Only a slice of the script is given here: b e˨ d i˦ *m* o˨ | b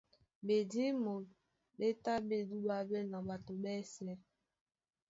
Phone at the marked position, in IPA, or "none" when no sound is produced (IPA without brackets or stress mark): m